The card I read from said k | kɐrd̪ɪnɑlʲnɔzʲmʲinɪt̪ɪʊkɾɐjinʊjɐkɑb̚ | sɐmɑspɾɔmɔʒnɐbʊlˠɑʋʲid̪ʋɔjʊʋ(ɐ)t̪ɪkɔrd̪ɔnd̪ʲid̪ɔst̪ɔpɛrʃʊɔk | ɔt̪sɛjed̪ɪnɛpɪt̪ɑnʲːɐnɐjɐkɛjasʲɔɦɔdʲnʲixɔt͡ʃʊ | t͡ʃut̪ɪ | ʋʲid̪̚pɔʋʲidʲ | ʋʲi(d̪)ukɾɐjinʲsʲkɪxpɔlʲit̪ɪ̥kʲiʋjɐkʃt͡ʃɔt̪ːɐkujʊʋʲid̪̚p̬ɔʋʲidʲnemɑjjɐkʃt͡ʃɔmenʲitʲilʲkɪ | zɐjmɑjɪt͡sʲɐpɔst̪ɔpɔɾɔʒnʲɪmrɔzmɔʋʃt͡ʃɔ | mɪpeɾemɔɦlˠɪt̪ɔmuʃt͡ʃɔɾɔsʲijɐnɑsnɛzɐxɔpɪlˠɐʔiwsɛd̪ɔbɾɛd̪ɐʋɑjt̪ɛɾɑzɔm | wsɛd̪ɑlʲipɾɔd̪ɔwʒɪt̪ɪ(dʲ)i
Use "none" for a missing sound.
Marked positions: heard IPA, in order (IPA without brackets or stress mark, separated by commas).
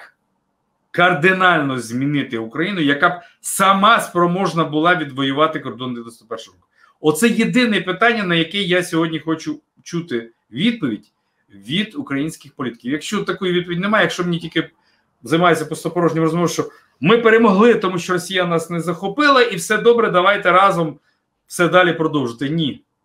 ɑ, d̪, nʲ